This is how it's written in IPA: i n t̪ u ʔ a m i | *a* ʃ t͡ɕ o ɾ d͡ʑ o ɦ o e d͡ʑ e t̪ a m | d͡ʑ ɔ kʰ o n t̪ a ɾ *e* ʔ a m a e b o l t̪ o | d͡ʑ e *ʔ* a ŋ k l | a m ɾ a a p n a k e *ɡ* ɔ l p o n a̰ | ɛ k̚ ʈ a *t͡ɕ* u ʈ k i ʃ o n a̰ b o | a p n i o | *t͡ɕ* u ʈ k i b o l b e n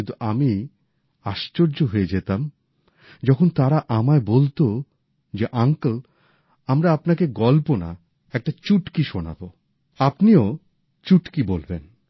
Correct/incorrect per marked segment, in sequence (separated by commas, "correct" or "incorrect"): correct, incorrect, correct, correct, correct, correct